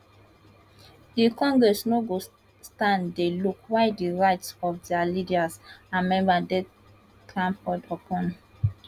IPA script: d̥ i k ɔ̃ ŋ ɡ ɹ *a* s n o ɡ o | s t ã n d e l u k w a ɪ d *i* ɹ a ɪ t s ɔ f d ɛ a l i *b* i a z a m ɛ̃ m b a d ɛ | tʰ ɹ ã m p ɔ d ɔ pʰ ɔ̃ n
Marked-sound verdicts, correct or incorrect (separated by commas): incorrect, correct, incorrect